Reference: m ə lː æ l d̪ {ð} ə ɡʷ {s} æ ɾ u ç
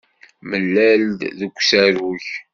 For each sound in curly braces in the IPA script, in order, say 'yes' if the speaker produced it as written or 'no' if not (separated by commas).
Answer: yes, yes